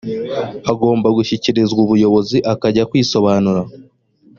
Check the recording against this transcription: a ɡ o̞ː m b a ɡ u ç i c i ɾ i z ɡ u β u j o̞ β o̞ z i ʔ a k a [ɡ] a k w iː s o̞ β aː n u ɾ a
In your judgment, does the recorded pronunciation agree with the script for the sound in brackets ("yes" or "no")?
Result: no